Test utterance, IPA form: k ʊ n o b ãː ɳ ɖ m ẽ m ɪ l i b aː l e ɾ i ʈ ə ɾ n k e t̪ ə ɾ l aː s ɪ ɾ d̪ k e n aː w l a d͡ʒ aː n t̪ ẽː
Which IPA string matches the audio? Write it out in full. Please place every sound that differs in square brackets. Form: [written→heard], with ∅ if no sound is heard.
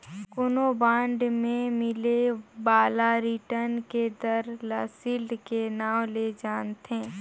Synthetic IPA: k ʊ n o b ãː ɳ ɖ m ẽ m ɪ l [i→e] b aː l [e→a] ɾ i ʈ ə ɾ n k e [t̪→d̪] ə ɾ l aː s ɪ [ɾ→l] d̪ k e n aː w l [a→e] d͡ʒ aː n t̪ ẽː